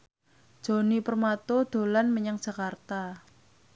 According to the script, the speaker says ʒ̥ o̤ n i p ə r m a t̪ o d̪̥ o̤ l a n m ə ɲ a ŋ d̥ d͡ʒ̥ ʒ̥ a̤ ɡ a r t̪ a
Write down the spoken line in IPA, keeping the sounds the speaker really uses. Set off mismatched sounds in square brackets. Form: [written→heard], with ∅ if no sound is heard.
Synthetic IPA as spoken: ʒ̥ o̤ n i p ə r m a t̪ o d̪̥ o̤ l a n m ə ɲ a ŋ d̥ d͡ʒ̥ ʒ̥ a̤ [ɡ→k] a r t̪ a